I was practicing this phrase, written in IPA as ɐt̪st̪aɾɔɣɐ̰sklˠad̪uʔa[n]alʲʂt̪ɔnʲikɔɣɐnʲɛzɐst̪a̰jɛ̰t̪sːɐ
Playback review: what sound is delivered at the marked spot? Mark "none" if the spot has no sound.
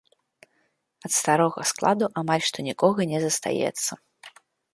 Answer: m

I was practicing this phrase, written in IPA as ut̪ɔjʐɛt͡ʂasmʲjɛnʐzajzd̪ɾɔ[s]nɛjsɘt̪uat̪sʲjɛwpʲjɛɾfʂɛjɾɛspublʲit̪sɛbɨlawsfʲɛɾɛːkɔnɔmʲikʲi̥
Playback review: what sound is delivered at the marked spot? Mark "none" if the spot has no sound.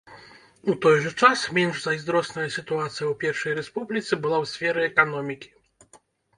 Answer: s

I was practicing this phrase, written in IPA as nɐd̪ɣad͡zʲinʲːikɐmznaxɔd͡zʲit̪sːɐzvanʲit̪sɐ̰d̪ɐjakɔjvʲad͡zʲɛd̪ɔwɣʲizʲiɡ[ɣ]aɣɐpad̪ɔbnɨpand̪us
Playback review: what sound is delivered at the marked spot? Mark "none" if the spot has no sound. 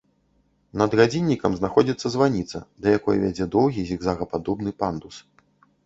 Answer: z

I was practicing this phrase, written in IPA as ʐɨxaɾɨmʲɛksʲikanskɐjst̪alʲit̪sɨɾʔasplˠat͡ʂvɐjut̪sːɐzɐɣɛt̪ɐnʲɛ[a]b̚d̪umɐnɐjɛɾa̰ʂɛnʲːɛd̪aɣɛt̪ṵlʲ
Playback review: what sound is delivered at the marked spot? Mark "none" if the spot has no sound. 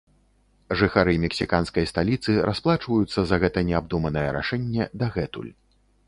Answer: a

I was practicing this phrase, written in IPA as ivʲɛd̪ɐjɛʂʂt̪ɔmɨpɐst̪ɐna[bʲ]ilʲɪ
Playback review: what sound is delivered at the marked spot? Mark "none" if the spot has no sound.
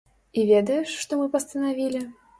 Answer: vʲ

